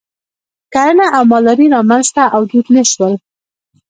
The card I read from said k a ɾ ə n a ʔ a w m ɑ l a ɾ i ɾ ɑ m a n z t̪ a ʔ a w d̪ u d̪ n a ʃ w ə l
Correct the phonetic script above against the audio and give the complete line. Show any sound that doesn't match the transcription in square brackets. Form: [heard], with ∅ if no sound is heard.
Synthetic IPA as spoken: k a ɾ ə n a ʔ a w m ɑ l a ɾ i ɾ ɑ m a n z t̪ a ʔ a w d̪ u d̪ n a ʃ w ə l